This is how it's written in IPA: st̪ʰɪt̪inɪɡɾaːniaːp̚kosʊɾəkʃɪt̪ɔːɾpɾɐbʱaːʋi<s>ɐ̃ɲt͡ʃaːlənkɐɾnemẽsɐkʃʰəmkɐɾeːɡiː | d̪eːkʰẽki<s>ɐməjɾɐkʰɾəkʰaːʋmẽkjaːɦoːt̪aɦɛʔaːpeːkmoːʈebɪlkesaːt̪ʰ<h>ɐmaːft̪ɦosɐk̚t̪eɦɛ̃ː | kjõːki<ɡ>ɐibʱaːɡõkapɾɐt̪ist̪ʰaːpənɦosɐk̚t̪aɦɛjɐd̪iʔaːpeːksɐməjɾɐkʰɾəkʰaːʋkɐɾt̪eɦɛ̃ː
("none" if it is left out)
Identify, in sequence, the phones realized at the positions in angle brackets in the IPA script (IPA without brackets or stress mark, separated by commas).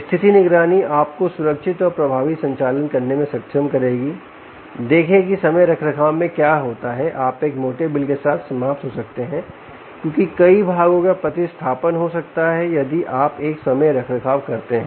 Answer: s, s, s, k